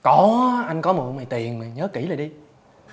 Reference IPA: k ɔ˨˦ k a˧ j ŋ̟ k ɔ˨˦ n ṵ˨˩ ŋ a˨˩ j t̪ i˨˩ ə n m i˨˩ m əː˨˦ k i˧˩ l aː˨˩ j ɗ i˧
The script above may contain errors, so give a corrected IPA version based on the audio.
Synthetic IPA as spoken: k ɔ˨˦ ʔ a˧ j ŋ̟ k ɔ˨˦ m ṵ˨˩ m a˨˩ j t̪ i˨˩ ə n m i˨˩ ɲ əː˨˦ k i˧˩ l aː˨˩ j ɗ i˧